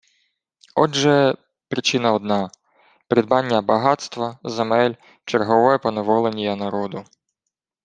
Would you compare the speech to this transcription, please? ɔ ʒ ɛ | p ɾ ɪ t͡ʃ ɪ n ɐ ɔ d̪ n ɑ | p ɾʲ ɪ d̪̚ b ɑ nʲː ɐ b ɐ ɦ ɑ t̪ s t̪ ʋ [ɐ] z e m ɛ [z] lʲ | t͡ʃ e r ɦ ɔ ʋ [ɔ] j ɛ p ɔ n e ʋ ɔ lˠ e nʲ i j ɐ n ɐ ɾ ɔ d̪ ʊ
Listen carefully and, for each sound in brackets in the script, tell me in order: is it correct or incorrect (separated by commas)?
correct, incorrect, correct